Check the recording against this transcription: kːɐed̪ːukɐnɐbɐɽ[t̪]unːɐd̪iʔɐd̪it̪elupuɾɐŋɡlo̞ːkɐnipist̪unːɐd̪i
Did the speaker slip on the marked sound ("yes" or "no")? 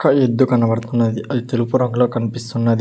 no